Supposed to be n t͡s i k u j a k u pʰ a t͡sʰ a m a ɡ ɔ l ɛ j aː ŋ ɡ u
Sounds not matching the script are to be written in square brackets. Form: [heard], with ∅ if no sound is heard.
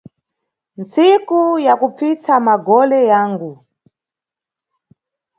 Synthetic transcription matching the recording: n t͡s i k u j a k u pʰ [i] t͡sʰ a m a ɡ ɔ l ɛ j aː ŋ ɡ u